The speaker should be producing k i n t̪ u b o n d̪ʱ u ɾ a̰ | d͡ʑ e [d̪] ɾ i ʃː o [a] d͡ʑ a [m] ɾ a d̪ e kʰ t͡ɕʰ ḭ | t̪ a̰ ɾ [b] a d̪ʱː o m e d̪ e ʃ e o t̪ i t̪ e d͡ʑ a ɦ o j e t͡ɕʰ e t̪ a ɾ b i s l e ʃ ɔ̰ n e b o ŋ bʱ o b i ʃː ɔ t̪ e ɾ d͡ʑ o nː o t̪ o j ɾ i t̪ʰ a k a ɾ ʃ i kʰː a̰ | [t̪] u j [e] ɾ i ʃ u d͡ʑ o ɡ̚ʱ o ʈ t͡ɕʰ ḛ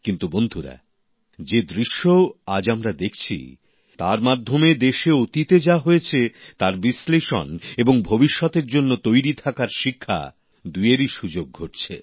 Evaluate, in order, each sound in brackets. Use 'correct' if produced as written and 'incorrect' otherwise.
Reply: correct, correct, correct, incorrect, incorrect, correct

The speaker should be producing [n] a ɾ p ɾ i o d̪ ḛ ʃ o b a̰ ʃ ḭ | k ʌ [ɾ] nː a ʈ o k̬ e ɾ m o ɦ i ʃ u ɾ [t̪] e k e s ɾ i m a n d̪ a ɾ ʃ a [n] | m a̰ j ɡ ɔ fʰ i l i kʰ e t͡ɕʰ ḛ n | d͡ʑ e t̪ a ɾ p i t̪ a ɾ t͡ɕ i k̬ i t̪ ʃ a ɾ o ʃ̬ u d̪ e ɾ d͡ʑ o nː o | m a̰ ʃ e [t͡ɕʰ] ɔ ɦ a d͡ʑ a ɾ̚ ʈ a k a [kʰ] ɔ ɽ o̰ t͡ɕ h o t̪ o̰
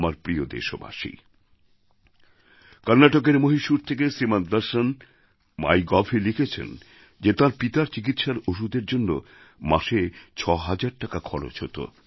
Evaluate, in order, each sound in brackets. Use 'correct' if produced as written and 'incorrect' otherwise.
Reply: incorrect, correct, incorrect, correct, correct, correct

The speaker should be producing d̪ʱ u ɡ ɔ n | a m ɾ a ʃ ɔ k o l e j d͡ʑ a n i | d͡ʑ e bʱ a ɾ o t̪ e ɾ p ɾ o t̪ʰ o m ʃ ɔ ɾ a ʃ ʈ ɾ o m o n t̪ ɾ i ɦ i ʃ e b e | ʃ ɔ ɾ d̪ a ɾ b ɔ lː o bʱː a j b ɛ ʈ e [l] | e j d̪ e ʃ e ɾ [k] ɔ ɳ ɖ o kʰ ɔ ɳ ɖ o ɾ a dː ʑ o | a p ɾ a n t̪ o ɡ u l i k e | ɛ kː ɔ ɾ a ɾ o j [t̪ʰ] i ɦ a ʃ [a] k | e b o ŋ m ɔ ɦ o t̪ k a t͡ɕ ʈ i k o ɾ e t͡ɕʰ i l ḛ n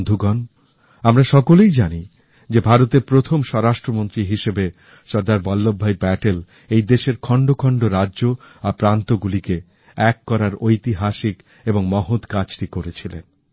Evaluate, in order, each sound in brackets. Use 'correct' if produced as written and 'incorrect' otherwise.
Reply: correct, incorrect, incorrect, incorrect

